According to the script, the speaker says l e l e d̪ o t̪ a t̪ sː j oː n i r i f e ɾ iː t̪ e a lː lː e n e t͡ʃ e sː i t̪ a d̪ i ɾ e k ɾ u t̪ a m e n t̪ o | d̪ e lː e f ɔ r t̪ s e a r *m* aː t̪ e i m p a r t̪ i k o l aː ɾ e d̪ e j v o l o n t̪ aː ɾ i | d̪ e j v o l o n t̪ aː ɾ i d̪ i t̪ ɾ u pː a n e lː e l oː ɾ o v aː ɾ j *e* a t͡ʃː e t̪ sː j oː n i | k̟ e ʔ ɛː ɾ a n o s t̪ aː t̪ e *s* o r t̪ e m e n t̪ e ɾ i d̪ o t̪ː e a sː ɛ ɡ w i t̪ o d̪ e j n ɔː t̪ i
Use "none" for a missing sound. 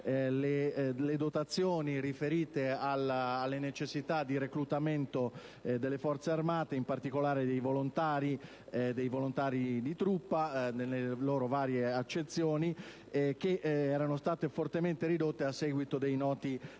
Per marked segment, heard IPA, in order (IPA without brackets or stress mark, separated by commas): m, e, f